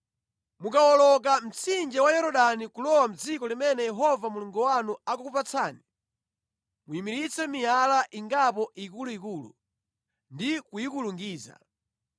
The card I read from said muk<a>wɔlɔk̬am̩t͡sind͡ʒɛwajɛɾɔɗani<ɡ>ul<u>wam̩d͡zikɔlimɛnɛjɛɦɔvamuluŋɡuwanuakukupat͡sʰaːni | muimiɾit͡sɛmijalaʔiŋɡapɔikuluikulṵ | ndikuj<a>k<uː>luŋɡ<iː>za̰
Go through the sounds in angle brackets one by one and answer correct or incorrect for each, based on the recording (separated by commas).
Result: correct, incorrect, incorrect, incorrect, incorrect, correct